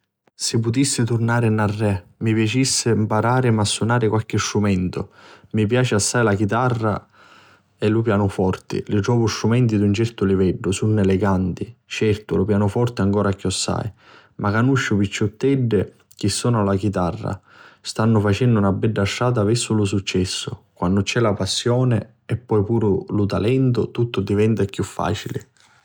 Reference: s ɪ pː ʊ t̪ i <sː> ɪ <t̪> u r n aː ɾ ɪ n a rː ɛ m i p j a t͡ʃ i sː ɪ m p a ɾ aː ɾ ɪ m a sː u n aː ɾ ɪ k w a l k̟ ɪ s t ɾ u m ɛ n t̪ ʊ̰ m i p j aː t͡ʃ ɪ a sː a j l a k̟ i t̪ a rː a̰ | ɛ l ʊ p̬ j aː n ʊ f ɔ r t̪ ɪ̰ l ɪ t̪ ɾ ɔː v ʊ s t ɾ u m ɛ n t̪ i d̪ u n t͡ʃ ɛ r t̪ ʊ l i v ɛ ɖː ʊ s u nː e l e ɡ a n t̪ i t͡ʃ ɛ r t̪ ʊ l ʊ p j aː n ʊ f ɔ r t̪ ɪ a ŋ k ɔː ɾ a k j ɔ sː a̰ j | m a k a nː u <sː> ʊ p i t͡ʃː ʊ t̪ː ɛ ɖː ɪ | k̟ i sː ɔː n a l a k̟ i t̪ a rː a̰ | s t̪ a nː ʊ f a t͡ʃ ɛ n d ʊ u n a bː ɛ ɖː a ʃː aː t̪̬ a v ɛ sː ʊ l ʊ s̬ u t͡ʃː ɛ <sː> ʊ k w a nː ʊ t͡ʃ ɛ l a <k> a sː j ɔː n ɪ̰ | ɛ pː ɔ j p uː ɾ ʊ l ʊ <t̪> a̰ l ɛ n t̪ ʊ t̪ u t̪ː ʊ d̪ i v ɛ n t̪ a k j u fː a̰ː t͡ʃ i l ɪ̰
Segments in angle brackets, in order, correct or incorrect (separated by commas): correct, correct, incorrect, correct, incorrect, correct